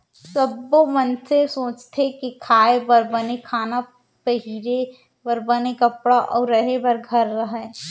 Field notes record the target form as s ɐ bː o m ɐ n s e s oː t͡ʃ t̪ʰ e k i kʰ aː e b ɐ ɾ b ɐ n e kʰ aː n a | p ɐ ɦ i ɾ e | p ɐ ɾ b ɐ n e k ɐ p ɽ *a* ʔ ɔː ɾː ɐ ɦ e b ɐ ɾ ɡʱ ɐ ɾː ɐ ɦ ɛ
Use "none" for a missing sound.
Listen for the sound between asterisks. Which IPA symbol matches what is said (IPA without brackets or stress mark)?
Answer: a